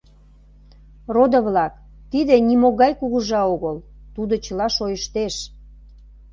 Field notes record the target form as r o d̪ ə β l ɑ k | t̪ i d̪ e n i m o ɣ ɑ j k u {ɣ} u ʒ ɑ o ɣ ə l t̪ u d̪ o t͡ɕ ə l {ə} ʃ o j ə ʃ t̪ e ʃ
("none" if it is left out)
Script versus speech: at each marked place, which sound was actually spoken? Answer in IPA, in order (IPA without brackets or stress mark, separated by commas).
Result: ɣ, ɑ